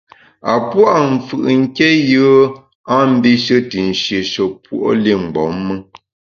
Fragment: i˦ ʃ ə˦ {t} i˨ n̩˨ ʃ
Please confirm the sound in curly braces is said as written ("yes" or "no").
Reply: yes